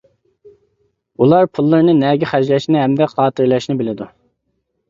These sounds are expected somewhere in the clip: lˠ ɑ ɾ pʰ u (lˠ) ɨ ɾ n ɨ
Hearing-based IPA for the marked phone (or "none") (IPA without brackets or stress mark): lˠː